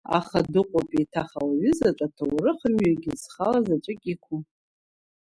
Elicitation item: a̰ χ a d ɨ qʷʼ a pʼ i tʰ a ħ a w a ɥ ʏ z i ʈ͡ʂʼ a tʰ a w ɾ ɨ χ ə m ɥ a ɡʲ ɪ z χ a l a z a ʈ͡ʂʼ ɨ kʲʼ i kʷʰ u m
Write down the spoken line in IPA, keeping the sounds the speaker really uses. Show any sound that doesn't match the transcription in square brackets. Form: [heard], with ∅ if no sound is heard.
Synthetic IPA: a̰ χ a d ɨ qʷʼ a pʼ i tʰ a [χ] a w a ɥ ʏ z [a] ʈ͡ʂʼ a tʰ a w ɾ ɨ χ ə m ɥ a ɡʲ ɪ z χ a l a z a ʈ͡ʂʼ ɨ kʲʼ i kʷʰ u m